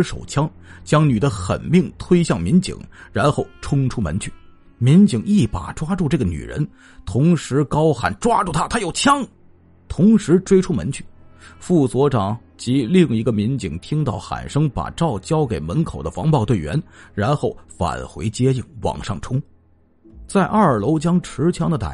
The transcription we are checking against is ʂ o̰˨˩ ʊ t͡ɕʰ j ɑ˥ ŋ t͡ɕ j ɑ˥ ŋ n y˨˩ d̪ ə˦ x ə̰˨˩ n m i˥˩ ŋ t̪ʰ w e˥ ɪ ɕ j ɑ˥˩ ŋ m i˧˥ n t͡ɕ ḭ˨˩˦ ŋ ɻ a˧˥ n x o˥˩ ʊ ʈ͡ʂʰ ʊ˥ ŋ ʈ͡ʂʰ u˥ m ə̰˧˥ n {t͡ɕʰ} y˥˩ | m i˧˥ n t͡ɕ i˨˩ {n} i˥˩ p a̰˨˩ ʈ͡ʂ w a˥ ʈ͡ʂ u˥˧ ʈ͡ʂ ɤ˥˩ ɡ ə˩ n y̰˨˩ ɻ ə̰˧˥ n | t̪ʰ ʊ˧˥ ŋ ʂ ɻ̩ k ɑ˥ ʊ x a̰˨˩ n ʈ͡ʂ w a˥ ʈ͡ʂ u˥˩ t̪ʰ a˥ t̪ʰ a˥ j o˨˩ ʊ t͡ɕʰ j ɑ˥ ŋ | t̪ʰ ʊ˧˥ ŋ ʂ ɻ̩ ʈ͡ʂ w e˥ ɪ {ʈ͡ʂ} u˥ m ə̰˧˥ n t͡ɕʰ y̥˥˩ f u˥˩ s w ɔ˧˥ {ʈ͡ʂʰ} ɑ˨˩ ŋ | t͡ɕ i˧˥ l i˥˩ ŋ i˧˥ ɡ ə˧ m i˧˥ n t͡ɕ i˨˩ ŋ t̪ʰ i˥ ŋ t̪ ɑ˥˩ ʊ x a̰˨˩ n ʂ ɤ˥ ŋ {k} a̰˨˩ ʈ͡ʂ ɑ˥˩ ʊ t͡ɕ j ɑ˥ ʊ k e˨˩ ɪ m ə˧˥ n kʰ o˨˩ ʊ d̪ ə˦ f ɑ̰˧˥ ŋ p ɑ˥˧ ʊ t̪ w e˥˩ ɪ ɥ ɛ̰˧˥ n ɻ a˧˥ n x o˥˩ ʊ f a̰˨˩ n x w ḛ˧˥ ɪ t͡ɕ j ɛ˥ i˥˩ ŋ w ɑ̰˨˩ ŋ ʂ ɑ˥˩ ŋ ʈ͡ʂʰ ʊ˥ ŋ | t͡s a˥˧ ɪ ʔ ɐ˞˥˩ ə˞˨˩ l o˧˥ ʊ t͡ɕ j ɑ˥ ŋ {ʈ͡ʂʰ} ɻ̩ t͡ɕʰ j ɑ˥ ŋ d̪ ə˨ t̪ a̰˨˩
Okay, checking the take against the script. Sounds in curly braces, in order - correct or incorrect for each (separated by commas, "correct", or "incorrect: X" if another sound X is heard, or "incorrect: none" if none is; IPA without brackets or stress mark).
correct, incorrect: ŋ, incorrect: ʈ͡ʂʰ, incorrect: ʈ͡ʂ, incorrect: p, correct